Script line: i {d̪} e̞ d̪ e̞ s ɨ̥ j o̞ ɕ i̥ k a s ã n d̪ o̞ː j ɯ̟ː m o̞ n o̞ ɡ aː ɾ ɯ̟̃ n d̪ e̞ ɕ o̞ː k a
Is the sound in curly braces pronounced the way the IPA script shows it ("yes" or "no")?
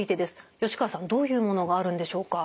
no